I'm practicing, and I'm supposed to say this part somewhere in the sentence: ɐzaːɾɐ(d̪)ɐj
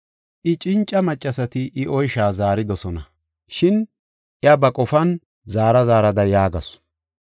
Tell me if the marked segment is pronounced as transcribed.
yes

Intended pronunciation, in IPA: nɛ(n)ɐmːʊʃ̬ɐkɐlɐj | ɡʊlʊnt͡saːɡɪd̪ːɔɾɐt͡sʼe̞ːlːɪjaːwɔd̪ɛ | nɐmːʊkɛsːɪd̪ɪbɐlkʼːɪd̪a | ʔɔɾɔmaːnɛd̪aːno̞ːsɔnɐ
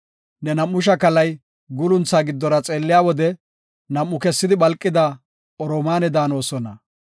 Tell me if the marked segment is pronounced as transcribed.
yes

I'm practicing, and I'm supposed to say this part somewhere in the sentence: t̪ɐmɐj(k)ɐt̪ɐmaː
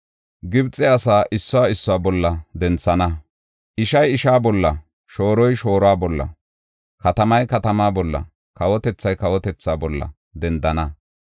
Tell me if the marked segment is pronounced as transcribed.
yes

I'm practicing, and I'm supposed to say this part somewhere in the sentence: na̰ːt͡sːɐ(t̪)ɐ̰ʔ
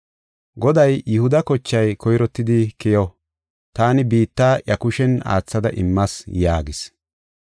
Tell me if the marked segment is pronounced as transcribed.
no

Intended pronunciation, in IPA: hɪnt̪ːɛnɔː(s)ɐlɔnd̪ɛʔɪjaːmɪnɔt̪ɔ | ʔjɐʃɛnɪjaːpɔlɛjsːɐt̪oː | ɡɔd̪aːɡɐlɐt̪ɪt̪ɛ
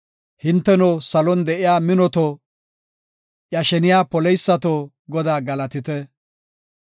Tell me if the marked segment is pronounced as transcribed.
yes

